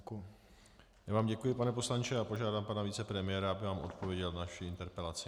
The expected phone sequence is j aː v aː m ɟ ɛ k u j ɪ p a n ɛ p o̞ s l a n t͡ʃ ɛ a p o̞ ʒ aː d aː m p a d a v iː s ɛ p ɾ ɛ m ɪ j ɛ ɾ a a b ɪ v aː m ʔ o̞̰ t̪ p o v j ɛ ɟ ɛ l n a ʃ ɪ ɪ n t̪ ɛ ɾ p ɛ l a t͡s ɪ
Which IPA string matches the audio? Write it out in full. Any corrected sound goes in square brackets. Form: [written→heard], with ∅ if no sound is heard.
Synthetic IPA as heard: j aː v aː m ɟ ɛ k u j ɪ p a n ɛ p o̞ s l a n t͡ʃ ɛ a p o̞ ʒ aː d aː m p a [d→n] a v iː [s→t͡s] ɛ p ɾ ɛ m ɪ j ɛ ɾ a a b ɪ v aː m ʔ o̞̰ t̪ p o v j ɛ ɟ ɛ l n a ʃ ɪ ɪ n t̪ ɛ ɾ p ɛ l a t͡s ɪ

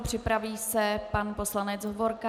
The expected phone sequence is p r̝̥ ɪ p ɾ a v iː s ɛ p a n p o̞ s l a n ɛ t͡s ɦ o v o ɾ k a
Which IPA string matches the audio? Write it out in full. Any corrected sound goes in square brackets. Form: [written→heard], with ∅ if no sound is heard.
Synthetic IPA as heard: p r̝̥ ɪ p ɾ a v iː s ɛ p a n p o̞ s l a n ɛ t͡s ɦ o v o ɾ k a

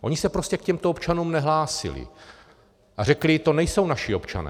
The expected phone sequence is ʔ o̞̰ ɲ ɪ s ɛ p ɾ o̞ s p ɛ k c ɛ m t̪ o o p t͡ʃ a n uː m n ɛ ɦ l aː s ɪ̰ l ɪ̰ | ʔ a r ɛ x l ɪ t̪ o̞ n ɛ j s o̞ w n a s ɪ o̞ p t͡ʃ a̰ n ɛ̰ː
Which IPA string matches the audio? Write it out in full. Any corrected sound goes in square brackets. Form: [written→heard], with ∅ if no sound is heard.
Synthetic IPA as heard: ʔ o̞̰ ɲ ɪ s ɛ p ɾ o̞ s [p→c] ɛ k c ɛ m t̪ o o p t͡ʃ a n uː m n ɛ ɦ l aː s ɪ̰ l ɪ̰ | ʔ a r ɛ [x→k] l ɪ t̪ o̞ n ɛ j s o̞ w n a [s→ʃ] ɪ o̞ p t͡ʃ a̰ n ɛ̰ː

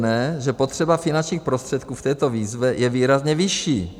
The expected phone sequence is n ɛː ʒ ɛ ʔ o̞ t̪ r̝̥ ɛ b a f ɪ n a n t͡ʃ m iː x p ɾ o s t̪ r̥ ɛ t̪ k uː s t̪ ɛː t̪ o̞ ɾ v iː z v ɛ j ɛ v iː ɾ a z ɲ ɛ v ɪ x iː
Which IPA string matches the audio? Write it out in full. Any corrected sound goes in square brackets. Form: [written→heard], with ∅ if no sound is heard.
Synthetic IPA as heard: n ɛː ʒ ɛ [ʔ→p] o̞ t̪ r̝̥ ɛ b a f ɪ n a n t͡ʃ [m→ɲ] iː x p ɾ o s t̪ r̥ ɛ t̪ k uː [s→f] t̪ ɛː t̪ o̞ [ɾ→∅] v iː z v ɛ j ɛ v iː ɾ a z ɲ ɛ v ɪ [x→ʃ] iː

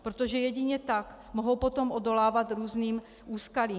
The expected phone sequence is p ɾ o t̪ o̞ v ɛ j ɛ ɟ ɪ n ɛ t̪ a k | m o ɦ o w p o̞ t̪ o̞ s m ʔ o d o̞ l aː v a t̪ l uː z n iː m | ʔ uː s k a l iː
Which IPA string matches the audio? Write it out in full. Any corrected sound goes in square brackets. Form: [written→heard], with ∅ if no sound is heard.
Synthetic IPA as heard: p ɾ o t̪ o̞ [v→ʒ] ɛ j ɛ ɟ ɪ [n→ɲ] ɛ t̪ a k | m o ɦ o w p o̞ t̪ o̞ [s→∅] m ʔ o d o̞ l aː v a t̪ [l→ɾ] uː z n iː m | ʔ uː s k a l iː

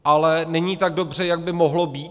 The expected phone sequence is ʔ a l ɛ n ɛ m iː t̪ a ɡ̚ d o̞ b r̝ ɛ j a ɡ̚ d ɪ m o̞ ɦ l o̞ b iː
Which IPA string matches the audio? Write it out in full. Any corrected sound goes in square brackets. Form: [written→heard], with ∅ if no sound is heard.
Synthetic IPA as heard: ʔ a l ɛ n ɛ [m→ɲ] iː t̪ a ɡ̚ d o̞ b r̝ ɛ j a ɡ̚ [d→b] ɪ m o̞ ɦ l o̞ b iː

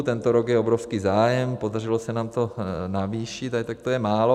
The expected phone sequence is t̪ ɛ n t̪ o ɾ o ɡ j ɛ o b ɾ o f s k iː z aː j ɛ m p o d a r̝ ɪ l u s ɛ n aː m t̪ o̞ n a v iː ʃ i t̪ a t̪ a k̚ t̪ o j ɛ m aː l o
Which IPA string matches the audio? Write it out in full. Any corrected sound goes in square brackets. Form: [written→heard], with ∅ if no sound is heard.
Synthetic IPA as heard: t̪ ɛ n t̪ o ɾ o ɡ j ɛ o b ɾ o f s k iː z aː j ɛ m p o d a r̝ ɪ l [u→o] s ɛ n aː m t̪ o̞ n a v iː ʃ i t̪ a t̪ a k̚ t̪ o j ɛ m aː l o

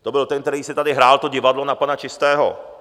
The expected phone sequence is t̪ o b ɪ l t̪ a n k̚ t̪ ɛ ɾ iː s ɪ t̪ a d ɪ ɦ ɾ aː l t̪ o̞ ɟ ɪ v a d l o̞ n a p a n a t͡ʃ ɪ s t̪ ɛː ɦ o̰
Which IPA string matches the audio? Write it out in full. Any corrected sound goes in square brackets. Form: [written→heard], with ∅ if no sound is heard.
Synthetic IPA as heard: t̪ o b ɪ l t̪ [a→ɛ] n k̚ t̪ ɛ ɾ iː s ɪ t̪ a d ɪ ɦ ɾ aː l t̪ o̞ ɟ ɪ v a d l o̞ n a p a n a t͡ʃ ɪ s t̪ ɛː ɦ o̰

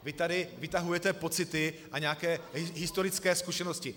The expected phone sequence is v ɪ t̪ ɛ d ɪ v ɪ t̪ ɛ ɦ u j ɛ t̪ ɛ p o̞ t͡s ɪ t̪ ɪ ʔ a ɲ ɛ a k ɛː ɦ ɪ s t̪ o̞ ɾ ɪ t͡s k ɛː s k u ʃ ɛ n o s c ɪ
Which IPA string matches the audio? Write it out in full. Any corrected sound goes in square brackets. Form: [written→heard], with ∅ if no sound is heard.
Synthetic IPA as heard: v ɪ t̪ [ɛ→a] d ɪ v ɪ t̪ [ɛ→a] ɦ u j ɛ t̪ ɛ p o̞ t͡s ɪ t̪ ɪ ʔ a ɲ ɛ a k ɛː ɦ ɪ s t̪ o̞ ɾ ɪ t͡s k ɛː s k u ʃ ɛ n o s c ɪ

